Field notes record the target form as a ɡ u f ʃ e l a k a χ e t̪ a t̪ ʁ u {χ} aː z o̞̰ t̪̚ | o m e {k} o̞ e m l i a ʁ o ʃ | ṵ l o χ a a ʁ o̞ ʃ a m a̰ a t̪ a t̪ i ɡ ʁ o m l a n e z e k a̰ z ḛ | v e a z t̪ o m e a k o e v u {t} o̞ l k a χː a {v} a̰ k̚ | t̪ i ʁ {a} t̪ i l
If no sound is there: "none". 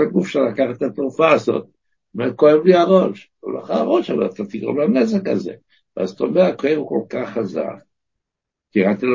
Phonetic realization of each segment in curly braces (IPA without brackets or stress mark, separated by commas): f, k, k, z, a